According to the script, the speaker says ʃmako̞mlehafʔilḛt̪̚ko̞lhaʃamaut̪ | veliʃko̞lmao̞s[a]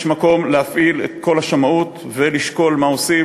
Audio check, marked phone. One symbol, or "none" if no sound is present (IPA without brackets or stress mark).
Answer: i